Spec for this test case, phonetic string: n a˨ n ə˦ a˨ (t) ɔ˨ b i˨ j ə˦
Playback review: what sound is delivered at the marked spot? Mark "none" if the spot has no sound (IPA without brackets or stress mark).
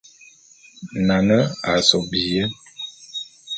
s